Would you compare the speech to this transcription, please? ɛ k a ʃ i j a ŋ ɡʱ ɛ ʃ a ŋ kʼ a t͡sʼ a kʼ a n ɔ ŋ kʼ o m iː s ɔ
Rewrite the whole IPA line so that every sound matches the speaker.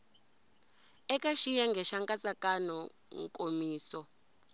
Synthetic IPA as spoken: ɛ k a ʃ i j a ŋ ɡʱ ɛ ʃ a ŋ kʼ a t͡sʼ a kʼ a n ɔ ŋ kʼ o m iː s ɔ